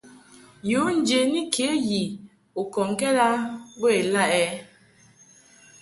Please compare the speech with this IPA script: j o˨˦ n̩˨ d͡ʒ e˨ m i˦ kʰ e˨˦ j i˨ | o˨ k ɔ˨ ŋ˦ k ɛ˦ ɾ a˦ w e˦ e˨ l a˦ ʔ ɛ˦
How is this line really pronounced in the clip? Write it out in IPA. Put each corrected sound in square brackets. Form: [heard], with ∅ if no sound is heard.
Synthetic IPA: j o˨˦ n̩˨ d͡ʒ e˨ [n] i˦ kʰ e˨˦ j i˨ | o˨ k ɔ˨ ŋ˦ k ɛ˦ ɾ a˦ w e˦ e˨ l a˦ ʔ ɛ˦